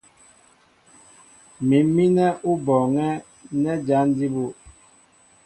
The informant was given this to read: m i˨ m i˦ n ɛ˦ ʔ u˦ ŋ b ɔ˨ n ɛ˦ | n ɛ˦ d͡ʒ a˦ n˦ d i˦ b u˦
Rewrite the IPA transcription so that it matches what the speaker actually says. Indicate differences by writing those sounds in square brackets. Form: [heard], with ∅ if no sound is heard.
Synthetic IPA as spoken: m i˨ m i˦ n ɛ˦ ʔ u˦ [∅] b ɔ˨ [ŋ] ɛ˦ | n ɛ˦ d͡ʒ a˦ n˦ d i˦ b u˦